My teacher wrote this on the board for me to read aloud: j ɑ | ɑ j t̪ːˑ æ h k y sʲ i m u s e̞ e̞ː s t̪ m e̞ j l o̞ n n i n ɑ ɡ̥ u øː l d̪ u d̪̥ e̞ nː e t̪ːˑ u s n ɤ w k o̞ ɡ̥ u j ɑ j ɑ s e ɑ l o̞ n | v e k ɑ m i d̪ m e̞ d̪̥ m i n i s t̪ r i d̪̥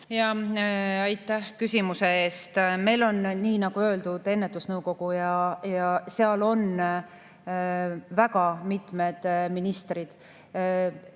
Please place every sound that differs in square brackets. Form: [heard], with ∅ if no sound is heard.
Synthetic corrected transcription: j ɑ | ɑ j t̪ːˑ æ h k y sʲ i m u s e̞ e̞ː s t̪ m e̞ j l o̞ n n [iː] n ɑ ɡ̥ u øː l d̪ u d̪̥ e̞ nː e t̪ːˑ u s n ɤ w k o̞ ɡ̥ u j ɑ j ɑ s e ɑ l o̞ n | v [æ] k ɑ m i [t̪] m e̞ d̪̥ m i n i s t̪ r i d̪̥